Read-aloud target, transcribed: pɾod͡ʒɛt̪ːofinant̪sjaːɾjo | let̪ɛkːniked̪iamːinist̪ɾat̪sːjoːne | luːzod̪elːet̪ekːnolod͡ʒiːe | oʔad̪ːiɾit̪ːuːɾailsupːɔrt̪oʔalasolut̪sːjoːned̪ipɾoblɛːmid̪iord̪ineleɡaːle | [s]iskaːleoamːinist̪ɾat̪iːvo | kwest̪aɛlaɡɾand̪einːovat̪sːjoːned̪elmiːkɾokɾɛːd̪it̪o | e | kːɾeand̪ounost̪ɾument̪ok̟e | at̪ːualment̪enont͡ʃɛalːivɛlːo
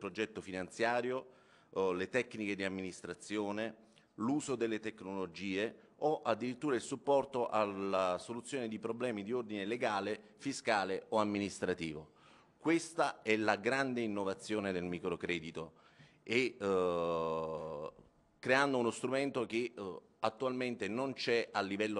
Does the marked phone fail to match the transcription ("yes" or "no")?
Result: yes